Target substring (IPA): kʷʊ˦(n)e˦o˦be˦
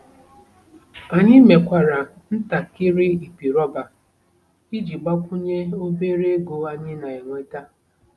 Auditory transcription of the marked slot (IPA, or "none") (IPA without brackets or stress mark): ɲ